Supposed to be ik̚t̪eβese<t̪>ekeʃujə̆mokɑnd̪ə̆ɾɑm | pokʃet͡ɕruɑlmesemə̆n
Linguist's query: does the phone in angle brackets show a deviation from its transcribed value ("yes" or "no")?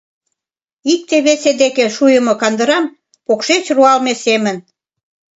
yes